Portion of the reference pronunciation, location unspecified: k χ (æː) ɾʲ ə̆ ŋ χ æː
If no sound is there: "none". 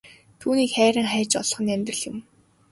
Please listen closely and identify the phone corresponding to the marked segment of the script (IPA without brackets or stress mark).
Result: æː